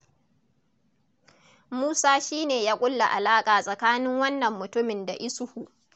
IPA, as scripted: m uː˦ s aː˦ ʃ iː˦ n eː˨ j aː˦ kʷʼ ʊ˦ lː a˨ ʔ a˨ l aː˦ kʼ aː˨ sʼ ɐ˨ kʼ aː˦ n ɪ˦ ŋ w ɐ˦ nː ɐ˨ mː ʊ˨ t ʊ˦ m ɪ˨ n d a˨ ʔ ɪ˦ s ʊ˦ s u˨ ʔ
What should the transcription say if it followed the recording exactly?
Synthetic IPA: m uː˦ s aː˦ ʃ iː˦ n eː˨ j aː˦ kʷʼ ʊ˦ lː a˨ ʔ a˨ l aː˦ kʼ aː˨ sʼ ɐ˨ k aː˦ n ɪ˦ ŋ w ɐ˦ nː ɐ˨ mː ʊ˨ t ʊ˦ m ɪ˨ n d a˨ ʔ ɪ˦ s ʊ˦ h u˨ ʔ